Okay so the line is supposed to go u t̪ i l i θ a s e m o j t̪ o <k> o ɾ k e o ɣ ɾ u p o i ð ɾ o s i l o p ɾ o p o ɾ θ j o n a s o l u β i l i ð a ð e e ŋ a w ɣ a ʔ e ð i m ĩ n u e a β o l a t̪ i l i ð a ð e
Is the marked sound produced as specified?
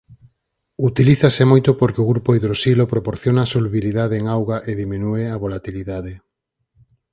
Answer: no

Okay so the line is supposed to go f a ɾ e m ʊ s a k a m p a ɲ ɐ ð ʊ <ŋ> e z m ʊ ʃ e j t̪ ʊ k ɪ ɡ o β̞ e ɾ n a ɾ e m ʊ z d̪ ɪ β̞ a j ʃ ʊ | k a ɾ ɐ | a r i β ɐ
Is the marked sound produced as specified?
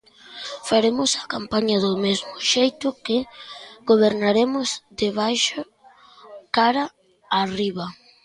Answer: no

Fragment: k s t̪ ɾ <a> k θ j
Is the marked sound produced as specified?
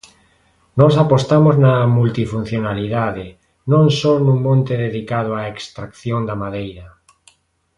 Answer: yes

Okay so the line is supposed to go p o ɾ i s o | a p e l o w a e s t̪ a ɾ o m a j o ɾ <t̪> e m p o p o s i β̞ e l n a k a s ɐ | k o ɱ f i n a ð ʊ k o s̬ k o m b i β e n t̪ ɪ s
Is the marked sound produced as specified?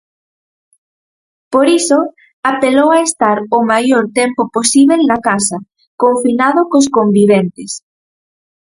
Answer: yes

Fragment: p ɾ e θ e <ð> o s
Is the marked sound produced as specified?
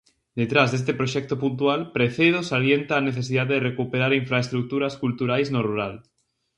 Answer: yes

